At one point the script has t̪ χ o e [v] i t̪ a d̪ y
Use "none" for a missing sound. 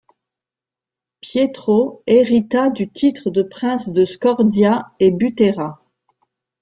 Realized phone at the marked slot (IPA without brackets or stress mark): ʁ